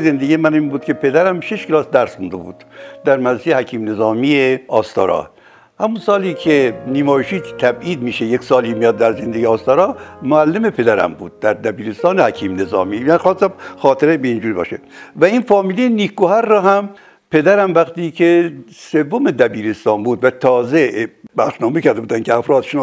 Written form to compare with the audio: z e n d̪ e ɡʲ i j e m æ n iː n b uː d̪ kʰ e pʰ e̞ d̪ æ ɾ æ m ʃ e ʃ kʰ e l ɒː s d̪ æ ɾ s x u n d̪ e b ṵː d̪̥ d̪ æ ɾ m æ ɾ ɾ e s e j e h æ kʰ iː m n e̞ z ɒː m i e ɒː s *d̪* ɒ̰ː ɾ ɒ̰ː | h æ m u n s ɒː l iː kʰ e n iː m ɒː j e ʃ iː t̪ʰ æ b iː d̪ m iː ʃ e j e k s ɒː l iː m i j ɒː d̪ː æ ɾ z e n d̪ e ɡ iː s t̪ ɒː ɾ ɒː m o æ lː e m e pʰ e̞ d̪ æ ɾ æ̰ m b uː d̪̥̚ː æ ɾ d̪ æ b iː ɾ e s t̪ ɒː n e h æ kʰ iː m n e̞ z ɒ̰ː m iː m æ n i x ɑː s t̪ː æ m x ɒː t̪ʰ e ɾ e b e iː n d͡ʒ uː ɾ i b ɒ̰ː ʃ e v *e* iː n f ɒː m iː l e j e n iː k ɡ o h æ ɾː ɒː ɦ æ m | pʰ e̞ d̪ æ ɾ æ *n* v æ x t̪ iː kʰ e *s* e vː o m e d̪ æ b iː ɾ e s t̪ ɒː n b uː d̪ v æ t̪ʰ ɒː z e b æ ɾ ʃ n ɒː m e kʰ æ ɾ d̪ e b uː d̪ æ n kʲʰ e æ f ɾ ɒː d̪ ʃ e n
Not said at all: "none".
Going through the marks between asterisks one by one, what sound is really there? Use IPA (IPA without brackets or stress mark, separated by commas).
t̪, æ, m, s